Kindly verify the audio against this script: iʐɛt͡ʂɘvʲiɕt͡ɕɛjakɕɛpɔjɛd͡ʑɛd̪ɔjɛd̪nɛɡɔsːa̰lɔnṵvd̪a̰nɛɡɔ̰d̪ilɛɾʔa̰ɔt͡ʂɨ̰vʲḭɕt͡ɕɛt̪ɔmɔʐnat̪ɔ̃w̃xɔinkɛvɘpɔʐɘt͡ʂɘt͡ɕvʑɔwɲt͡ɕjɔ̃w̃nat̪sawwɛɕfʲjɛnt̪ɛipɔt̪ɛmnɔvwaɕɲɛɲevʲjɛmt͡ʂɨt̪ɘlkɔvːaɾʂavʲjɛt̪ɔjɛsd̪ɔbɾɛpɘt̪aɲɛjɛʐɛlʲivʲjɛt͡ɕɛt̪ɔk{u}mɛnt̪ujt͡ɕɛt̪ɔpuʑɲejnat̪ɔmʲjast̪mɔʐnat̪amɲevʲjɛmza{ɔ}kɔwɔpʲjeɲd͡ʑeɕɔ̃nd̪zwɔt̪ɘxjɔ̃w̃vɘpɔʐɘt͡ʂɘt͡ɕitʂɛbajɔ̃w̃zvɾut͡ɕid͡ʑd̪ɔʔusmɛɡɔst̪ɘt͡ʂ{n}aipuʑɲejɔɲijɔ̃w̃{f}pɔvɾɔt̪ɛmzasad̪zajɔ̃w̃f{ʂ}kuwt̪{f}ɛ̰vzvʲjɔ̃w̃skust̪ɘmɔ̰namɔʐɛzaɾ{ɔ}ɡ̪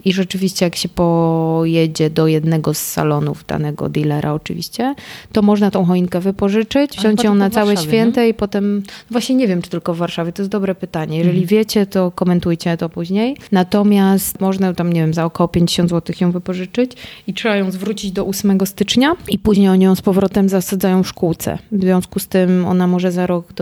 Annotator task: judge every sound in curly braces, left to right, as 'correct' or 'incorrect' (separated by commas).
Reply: incorrect, correct, incorrect, incorrect, correct, incorrect, correct